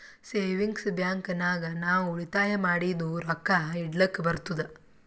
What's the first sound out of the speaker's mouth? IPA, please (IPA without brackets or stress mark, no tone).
s